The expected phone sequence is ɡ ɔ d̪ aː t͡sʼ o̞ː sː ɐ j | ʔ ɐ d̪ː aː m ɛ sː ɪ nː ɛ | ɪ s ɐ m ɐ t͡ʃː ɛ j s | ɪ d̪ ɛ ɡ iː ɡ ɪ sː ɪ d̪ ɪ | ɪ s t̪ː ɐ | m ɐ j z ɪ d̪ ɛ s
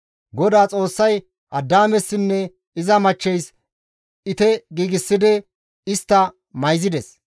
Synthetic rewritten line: ɡ ɔ d̪ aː t͡sʼ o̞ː sː ɐ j | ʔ ɐ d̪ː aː m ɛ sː ɪ nː ɛ | ɪ z ɐ m ɐ t͡ʃː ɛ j s | ɪ t̪ ɛ ɡ iː ɡ ɪ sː ɪ d̪ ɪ | ɪ s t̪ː ɐ | m ɐ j z ɪ d̪ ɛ s